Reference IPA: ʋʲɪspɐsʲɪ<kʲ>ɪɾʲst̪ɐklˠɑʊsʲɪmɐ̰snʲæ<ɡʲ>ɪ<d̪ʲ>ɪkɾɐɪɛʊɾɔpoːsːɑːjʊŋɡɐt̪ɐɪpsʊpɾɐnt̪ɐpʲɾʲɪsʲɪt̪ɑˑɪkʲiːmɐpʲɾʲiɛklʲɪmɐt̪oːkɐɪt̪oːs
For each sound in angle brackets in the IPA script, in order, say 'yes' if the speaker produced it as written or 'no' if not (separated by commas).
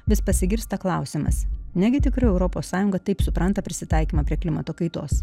no, yes, no